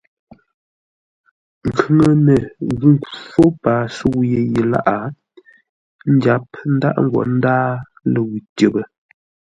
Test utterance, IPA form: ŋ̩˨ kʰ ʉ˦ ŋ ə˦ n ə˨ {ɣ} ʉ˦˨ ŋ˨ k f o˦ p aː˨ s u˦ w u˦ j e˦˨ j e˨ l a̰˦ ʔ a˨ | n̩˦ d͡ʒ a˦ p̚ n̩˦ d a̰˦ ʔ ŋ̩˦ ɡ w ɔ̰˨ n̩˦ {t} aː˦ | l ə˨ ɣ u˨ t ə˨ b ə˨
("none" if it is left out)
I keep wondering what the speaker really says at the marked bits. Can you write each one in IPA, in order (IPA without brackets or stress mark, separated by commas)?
ɣ, d